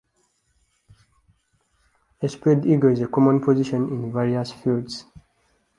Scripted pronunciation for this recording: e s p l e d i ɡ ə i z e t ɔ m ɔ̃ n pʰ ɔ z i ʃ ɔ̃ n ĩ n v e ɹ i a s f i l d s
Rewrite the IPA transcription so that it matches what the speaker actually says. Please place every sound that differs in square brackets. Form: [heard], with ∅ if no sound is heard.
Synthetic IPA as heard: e s p [ɹ] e d i ɡ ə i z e [k] ɔ m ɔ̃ n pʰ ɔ z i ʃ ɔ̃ n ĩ n v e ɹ i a s f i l d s